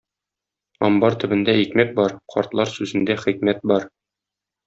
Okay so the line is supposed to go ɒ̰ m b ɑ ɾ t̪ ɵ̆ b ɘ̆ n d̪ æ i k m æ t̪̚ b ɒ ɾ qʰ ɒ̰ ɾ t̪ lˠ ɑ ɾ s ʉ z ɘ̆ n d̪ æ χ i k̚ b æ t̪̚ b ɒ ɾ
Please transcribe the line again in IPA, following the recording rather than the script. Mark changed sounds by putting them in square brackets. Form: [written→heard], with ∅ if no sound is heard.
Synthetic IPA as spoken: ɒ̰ m b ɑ ɾ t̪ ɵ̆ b ɘ̆ n d̪ æ i k m æ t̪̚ b ɒ ɾ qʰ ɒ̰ ɾ t̪ lˠ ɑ ɾ s ʉ z ɘ̆ n d̪ æ χ i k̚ [b→m] æ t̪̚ b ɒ ɾ